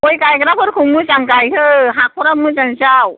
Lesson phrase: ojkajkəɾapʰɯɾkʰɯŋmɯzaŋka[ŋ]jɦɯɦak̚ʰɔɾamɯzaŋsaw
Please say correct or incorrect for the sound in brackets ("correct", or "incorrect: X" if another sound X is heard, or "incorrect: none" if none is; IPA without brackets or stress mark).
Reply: incorrect: none